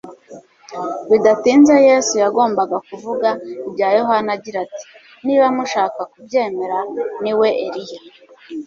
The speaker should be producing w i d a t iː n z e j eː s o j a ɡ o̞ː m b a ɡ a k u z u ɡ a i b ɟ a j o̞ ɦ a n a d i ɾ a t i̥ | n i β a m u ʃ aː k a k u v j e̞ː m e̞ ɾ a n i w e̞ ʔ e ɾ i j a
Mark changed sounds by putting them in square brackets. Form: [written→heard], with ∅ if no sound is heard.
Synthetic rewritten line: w i d a t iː n z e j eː s [o→u] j a ɡ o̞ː m b a ɡ a k u [z→v] u ɡ a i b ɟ a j o̞ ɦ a n a [d→ɟ] i ɾ a t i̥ | n i β a m u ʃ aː k a k u [v→b] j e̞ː m e̞ ɾ a n i w e̞ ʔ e ɾ i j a